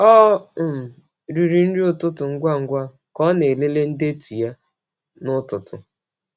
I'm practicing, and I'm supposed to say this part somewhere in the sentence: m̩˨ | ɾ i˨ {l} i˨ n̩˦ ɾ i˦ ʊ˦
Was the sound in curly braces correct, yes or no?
no